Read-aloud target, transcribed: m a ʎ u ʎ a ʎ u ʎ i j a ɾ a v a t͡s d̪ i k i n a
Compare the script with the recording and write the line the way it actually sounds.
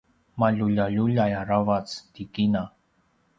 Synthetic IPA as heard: m a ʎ u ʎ a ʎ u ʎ a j a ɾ a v a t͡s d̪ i k i n a